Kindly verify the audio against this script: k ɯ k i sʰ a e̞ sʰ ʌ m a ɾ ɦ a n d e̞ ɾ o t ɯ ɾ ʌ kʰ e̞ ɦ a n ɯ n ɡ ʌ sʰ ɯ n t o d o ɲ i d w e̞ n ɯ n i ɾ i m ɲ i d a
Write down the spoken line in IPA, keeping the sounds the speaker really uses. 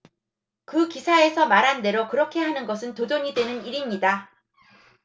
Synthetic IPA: k ɯ k i sʰ a e̞ sʰ ʌ m a ɾ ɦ a n d e̞ ɾ o k ɯ ɾ ʌ kʰ e̞ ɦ a n ɯ n ɡ ʌ sʰ ɯ n t o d o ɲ i d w e̞ n ɯ n i ɾ i m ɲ i d a